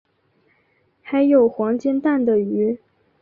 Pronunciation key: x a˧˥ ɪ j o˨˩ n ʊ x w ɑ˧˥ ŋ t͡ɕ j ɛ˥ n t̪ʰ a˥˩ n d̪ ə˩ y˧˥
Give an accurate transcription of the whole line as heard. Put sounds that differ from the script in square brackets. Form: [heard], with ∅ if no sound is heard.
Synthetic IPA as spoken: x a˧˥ ɪ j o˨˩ [∅] ʊ x w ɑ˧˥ ŋ t͡ɕ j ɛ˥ n [t̪] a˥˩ n d̪ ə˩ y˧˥